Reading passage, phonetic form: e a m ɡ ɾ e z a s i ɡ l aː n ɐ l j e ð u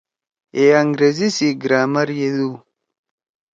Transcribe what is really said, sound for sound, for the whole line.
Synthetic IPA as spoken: e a ŋ ɡ ɾ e z i s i ɡ ɾ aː m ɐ ɾ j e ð u